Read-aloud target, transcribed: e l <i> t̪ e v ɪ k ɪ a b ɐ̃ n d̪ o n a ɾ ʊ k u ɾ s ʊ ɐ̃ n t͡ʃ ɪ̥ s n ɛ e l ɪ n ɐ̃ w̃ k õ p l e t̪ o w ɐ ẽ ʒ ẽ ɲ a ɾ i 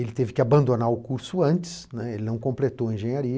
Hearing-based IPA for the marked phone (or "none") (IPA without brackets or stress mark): ɪ